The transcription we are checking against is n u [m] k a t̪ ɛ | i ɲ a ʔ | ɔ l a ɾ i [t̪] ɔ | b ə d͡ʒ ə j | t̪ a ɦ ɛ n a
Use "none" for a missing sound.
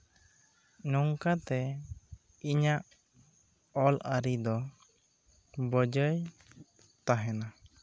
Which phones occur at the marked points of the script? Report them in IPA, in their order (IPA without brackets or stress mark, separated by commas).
ŋ, d̪